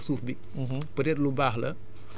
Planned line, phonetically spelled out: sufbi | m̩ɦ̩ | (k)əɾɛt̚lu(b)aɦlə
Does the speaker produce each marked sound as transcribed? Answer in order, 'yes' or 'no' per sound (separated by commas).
no, yes